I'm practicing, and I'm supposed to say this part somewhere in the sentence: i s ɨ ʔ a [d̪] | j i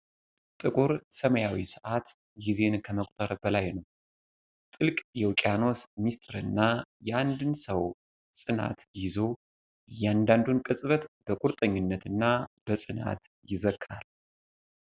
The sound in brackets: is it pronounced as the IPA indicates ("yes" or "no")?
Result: no